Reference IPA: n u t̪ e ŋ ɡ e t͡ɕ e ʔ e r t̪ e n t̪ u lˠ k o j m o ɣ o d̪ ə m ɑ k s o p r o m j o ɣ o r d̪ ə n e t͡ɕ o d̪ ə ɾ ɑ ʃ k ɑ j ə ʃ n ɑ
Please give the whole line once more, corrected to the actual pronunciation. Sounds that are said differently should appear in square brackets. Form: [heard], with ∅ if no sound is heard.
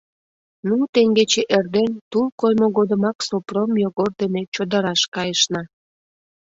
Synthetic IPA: n u t̪ e ŋ ɡ e t͡ɕ e ʔ e r [d̪] e n t̪ u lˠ k o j m o ɣ o d̪ ə m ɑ k s o p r o m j o ɣ o r d̪ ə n e t͡ɕ o d̪ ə ɾ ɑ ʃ k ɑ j ə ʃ n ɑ